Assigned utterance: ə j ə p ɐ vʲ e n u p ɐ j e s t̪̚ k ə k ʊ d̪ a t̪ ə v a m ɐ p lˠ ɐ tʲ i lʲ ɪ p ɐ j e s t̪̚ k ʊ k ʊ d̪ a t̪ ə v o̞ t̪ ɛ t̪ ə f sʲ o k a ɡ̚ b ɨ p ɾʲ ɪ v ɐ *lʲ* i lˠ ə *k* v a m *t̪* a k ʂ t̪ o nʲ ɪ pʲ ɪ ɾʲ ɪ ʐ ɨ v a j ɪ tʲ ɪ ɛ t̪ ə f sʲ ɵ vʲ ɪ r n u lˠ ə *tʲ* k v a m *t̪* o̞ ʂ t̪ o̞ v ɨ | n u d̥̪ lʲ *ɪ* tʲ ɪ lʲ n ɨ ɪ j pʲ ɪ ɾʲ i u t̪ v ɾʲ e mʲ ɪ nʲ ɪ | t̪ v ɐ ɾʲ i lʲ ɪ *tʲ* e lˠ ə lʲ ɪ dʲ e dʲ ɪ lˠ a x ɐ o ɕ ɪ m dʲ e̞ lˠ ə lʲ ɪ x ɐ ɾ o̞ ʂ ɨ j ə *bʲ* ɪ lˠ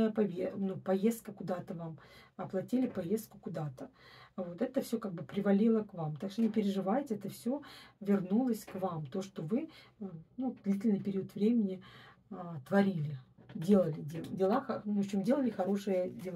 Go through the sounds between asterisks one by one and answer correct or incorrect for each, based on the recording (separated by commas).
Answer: correct, correct, correct, incorrect, correct, incorrect, incorrect, incorrect